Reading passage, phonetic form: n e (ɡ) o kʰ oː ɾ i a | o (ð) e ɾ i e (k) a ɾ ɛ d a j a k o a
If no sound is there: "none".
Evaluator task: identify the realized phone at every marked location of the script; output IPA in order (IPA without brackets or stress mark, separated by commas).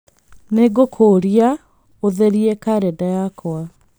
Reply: ɡ, ð, k